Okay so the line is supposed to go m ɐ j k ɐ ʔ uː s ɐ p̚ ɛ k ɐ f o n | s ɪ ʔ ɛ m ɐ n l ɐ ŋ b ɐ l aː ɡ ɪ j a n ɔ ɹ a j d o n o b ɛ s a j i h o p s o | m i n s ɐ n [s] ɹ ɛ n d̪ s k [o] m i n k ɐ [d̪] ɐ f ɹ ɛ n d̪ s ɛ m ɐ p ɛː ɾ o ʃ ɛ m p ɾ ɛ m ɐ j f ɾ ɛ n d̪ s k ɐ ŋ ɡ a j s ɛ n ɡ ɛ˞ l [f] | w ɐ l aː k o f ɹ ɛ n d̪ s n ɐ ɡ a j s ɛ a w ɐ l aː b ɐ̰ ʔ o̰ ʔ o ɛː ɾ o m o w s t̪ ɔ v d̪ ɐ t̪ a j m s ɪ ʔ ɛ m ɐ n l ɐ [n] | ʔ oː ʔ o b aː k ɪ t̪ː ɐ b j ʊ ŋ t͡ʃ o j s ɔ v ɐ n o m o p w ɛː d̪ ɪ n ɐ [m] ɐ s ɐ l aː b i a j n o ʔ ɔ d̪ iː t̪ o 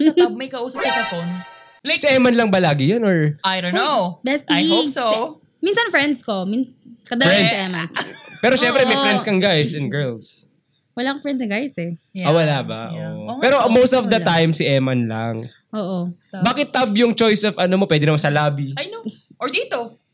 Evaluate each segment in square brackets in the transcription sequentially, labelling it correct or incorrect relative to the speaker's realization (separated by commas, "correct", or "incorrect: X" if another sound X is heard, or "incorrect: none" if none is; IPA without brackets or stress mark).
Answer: incorrect: f, correct, correct, incorrect: s, incorrect: ŋ, correct